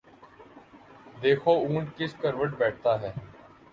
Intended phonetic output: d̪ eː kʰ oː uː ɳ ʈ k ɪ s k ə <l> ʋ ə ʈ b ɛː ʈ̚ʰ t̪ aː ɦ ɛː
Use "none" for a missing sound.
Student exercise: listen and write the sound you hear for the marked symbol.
ɾ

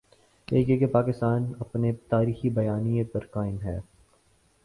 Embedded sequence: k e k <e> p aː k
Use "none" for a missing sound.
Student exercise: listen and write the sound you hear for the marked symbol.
e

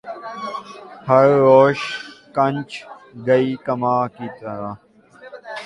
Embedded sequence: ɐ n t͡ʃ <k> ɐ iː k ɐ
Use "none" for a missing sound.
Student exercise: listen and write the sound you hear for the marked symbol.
ɡ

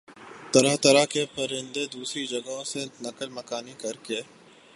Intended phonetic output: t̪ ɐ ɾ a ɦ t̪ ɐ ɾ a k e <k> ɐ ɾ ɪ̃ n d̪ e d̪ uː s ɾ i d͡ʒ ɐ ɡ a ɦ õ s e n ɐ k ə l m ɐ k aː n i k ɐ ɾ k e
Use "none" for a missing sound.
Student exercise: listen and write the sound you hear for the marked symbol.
p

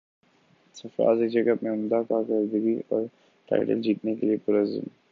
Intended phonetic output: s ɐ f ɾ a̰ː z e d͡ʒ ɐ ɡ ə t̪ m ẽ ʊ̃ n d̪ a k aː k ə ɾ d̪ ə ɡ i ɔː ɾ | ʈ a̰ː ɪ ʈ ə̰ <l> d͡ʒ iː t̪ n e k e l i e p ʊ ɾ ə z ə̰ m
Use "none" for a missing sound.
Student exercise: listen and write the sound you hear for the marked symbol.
l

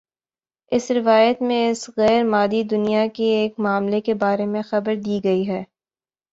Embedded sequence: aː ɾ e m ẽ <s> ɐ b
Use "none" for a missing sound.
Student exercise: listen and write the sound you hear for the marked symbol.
x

